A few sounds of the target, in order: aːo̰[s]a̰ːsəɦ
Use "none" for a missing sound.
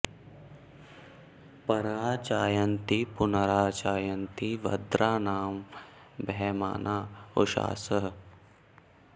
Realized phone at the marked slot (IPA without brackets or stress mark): ʃ